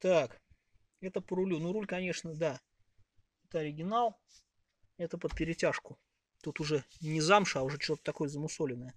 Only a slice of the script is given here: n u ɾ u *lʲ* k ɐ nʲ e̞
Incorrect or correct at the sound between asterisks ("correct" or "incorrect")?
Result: correct